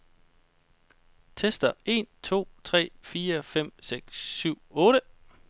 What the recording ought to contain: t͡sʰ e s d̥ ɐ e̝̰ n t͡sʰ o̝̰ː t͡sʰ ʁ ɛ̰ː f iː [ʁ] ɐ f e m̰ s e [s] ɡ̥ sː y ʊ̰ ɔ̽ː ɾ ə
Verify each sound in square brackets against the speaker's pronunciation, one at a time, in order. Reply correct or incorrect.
incorrect: none, incorrect: none

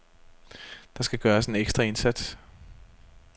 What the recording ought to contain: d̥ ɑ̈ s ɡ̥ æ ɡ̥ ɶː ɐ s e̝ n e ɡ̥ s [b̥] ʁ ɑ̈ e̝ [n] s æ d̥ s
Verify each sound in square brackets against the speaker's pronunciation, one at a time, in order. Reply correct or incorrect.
incorrect: d̥, correct

